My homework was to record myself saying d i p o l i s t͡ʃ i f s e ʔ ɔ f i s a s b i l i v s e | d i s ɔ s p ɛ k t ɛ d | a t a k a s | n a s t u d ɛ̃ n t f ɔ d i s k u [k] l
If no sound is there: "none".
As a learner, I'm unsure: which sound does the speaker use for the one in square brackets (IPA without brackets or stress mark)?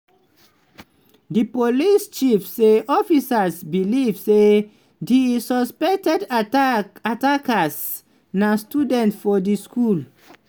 none